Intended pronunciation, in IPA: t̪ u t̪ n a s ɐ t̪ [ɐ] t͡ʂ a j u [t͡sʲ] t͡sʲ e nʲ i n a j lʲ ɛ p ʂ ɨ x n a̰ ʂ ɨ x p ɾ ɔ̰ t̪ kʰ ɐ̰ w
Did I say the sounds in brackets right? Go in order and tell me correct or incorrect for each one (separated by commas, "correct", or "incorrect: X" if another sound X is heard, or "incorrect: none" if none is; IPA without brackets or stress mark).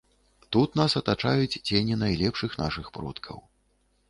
incorrect: a, correct